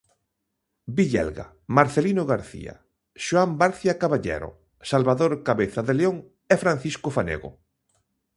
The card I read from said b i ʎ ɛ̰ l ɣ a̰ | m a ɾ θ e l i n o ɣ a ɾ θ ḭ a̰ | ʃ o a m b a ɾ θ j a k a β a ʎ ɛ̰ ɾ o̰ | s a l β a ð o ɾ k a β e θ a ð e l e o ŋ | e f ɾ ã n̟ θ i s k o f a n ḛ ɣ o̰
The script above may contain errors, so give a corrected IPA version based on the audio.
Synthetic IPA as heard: b i ʎ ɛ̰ l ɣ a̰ | m a ɾ θ e l i n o ɣ a ɾ θ ḭ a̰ | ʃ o a m b a ɾ θ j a k a β a ʎ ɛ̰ ɾ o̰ | s a l β a ð o ɾ k a β e θ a ð e l e o ŋ | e f ɾ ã n̟ θ i s k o f a n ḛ ɣ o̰

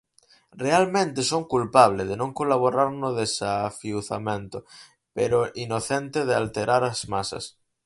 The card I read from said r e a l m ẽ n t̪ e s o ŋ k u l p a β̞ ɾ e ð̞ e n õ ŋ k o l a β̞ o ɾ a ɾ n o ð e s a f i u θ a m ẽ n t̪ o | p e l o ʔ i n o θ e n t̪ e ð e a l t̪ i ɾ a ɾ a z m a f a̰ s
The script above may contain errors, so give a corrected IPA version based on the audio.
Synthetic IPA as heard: r e a l m ẽ n t̪ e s o ŋ k u l p a β̞ l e ð̞ e n õ ŋ k o l a β̞ o ɾ a ɾ n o ð e s a f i u θ a m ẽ n t̪ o | p e ɾ o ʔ i n o θ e n t̪ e ð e a l t̪ e ɾ a ɾ a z m a s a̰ s

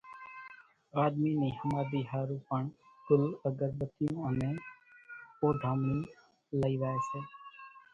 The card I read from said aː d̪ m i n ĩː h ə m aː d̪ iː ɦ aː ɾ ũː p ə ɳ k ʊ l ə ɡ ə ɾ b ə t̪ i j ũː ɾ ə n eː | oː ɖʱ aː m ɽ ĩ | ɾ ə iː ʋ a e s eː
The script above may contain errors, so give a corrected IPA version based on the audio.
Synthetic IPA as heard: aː d̪ m i n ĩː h ə m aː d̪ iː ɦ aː ɾ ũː p ə ɳ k ʊ l ə ɡ ə ɾ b ə t̪ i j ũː ə n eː | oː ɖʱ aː m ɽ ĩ | l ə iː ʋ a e s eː

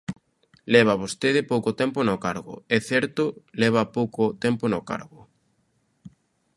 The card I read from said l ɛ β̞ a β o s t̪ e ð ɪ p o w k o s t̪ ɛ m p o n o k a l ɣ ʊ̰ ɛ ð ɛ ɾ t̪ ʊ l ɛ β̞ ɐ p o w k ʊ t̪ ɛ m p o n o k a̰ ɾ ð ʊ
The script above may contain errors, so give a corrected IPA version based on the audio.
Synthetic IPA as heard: l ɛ β̞ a β o s t̪ e ð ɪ p o w k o t̪ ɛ m p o n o k a ɾ ɣ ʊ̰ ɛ θ ɛ ɾ t̪ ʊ l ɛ β̞ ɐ p o w k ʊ t̪ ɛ m p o n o k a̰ ɾ ɣ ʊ

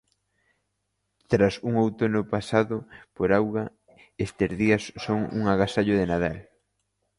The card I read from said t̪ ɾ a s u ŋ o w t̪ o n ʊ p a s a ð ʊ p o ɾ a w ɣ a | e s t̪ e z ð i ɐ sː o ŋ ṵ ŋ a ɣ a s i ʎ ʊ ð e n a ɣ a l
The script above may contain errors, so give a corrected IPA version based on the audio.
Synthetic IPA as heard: t̪ ɾ a s u ŋ o w t̪ o n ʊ p a s a ð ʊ p o ɾ a w ɣ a | e s t̪ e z ð i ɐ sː o ŋ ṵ ŋ a ɣ a s a ʎ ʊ ð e n a ð a l

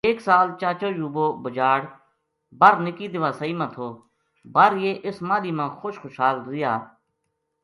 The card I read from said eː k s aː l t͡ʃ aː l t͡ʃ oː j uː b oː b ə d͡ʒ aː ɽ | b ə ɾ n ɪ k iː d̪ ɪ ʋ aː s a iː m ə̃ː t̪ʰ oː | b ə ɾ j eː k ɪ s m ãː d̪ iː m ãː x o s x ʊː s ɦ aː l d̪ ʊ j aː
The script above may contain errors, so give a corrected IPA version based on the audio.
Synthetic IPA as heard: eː k s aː l t͡ʃ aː t͡ʃ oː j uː b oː b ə d͡ʒ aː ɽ | b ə ɾ n ɪ k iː d̪ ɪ ʋ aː s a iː m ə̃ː t̪ʰ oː | b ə ɾ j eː ʔ ɪ s m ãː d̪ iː m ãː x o ʃ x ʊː ʃ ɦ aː l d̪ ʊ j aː

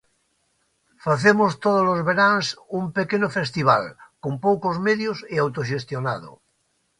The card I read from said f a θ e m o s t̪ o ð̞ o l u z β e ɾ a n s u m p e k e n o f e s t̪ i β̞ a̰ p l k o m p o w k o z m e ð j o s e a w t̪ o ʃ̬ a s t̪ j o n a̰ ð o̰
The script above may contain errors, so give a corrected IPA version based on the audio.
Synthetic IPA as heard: f a θ e m o s t̪ o ð̞ o l o z β e ɾ a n s u m p e k e n o f e s t̪ i β̞ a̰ l k o m p o w k o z m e ð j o s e a w t̪ o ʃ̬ e s t̪ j o n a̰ ð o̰

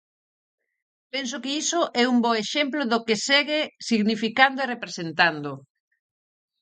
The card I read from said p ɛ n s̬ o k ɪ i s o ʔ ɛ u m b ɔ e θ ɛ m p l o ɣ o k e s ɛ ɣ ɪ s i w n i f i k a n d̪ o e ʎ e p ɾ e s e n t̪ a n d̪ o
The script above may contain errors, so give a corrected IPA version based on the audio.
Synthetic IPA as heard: p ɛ n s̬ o k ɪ i s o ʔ ɛ u m b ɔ e ʃ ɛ m p l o ð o k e s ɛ ɣ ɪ s i ɣ n i f i k a n d̪ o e r e p ɾ e s e n t̪ a n d̪ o

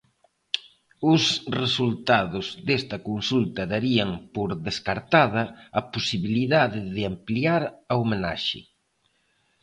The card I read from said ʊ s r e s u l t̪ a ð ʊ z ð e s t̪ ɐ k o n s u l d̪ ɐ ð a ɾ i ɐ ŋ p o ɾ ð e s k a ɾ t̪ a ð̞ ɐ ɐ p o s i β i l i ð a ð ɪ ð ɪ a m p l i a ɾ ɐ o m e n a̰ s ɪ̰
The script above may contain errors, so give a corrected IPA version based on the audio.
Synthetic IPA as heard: ʊ s r e s u l t̪ a ð ʊ z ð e s t̪ ɐ k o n s u l t̪ ɐ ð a ɾ i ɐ ŋ p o ɾ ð e s k a ɾ t̪ a ð̞ ɐ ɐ p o s i β i l i ð a ð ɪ ð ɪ a m p l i a ɾ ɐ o m e n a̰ ʃ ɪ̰

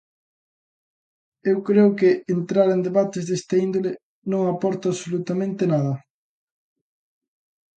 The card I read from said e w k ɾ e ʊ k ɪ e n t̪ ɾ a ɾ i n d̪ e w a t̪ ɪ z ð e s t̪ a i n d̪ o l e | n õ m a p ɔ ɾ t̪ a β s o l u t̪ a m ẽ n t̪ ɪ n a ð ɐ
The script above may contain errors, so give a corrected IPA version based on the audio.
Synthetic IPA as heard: e w k ɾ e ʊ k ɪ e n t̪ ɾ a ɾ e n d̪ e β a t̪ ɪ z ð e s t̪ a i n d̪ o l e | n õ ŋ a p ɔ ɾ t̪ a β s o l u t̪ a m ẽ n t̪ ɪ n a ð ɐ

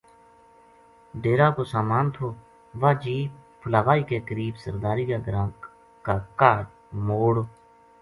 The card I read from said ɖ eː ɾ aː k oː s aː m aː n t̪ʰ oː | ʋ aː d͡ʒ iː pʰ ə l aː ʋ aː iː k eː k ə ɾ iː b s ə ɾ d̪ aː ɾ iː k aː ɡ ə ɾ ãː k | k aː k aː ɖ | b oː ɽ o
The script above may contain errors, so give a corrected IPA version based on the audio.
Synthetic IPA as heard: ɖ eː ɾ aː k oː s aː m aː n t̪ʰ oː | ʋ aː d͡ʒ iː pʰ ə l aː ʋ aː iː k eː k ə ɾ iː b s ə ɾ d̪ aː ɾ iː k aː ɡ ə ɾ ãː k | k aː k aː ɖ | m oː ɽ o

